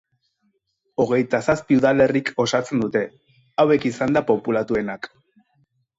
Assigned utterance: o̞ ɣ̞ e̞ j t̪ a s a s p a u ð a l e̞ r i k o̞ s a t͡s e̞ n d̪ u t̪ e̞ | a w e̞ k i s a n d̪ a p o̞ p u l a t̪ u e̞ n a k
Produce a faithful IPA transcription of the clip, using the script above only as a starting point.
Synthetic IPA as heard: o̞ ɣ̞ e̞ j t̪ a s a s p i u ð a l e̞ r i k o̞ s a t͡s e̞ n d̪ u t̪ e̞ | a w e̞ k i s a n d̪ a p o̞ p u l a t̪ u e̞ n a k